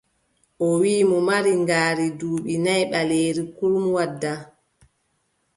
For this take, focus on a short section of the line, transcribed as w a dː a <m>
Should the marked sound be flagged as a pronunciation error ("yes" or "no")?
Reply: yes